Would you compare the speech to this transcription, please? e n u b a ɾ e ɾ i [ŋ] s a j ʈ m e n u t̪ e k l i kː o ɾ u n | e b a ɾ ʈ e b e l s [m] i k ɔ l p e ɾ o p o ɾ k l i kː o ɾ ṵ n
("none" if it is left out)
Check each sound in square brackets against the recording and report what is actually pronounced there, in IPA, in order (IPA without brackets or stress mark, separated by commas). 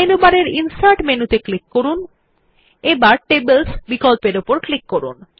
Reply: n, b